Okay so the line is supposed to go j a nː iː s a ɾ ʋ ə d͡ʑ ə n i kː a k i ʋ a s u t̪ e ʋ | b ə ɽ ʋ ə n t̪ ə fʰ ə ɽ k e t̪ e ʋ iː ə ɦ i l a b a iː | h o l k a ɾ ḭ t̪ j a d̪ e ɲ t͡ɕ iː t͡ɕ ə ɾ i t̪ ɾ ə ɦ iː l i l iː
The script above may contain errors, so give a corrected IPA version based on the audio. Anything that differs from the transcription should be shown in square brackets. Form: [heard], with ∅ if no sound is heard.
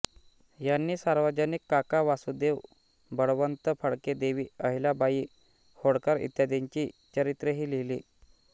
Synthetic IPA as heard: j a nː iː s a ɾ ʋ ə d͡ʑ ə n i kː a k [a] ʋ a s u [d̪] e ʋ | b ə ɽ ʋ ə n t̪ ə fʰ ə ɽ k e [d̪] e ʋ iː ə ɦ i l a b a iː | h o [ɽ] k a ɾ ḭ t̪ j a d̪ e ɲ t͡ɕ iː t͡ɕ ə ɾ i t̪ ɾ ə ɦ iː l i l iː